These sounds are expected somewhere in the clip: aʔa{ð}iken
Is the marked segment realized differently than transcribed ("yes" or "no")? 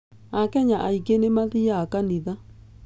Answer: yes